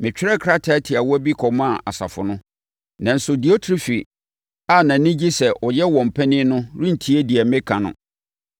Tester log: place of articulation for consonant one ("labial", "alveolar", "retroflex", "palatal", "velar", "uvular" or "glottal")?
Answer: labial